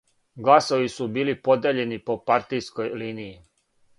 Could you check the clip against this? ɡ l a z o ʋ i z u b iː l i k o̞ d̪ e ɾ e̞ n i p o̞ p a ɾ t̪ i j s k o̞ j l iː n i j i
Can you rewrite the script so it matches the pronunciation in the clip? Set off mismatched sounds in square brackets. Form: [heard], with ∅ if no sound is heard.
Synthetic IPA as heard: ɡ l a [s] o ʋ i [s] u b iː l i [p] o̞ d̪ e [ʎ] e̞ n i p o̞ p a ɾ t̪ i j s k o̞ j l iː n i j i